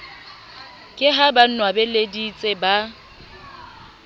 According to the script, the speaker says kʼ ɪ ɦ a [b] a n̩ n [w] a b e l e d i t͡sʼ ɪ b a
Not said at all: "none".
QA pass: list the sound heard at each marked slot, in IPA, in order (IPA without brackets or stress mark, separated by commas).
b, w